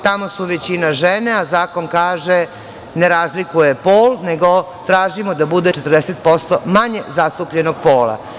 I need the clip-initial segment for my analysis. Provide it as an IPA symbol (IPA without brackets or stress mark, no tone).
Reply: t̪